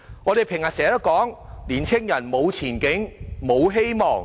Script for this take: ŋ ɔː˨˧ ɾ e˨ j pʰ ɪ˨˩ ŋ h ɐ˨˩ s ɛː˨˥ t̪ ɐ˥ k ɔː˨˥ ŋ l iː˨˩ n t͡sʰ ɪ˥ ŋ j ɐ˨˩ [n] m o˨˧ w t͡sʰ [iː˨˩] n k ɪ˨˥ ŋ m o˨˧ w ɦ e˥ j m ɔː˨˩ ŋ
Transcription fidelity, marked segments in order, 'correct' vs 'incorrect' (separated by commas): correct, correct